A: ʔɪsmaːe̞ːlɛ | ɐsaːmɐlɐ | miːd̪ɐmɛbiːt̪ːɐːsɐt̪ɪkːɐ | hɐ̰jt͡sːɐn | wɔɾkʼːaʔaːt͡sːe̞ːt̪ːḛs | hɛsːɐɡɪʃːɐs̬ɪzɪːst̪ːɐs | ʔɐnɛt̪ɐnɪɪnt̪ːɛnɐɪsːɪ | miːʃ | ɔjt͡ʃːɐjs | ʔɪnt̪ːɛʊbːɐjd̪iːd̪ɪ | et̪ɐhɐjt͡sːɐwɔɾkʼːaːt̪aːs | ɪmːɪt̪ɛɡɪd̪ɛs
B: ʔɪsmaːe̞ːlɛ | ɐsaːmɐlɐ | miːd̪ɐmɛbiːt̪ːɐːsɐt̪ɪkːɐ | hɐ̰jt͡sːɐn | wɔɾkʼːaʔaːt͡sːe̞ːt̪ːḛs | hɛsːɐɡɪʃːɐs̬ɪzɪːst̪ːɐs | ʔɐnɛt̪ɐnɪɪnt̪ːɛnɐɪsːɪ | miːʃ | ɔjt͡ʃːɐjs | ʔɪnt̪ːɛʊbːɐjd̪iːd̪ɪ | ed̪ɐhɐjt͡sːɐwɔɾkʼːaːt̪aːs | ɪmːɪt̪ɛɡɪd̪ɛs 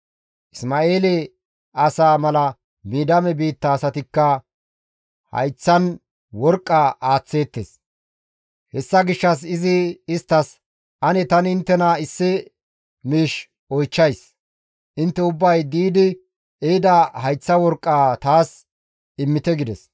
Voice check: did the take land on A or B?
B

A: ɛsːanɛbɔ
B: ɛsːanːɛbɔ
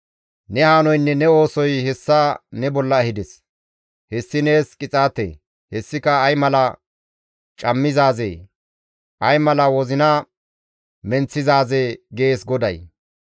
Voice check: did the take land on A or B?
A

